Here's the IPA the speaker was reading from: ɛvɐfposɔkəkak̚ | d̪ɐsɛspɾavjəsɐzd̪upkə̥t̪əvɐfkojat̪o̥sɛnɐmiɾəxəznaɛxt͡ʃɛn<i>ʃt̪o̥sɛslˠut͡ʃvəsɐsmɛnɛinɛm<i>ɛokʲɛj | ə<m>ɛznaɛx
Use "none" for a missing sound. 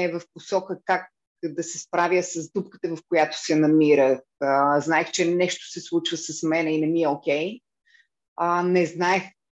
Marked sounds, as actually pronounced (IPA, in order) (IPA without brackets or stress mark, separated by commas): ɛ, i, n